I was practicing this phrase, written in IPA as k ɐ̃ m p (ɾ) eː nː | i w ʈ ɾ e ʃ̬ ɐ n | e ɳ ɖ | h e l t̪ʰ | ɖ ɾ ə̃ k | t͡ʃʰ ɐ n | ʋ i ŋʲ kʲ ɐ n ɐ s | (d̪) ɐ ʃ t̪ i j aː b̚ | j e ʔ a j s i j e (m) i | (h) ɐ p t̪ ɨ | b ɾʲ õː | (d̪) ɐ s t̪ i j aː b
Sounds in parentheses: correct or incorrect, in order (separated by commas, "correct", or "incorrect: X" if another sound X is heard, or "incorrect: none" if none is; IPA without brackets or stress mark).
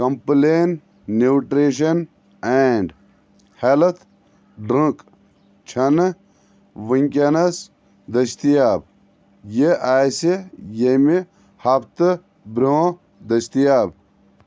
incorrect: l, correct, correct, correct, correct